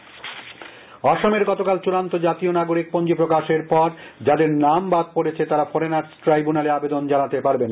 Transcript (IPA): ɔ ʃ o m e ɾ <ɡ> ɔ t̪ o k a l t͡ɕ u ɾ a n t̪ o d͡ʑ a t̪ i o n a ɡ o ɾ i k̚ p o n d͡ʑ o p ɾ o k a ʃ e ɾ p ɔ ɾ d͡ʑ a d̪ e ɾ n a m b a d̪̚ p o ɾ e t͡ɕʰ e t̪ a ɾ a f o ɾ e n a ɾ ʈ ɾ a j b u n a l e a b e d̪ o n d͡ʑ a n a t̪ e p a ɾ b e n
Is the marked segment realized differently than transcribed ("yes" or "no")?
no